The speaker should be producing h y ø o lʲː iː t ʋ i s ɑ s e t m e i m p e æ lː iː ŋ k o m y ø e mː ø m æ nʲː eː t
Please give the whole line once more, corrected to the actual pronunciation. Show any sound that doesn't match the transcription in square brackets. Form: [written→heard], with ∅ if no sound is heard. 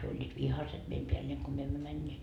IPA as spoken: h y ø o lʲː iː t ʋ i [s→h] ɑ s e t m e i m p e æ lː [iː→eː] ŋ k o m y ø e mː ø m æ nʲː eː t